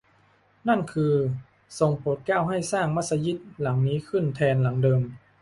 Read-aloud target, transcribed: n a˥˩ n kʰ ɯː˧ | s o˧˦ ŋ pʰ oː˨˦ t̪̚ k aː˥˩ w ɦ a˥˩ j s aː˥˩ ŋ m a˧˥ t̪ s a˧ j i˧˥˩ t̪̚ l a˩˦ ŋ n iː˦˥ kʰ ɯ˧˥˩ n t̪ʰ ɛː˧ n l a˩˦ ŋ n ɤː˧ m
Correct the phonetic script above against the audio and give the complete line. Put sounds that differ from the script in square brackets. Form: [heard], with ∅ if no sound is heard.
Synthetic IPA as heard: n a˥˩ n kʰ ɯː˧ | s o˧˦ ŋ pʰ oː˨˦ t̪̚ k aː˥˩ w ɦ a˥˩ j s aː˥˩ ŋ m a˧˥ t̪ s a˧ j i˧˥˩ t̪̚ l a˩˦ ŋ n iː˦˥ kʰ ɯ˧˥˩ n t̪ʰ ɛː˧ n l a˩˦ ŋ [d] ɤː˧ m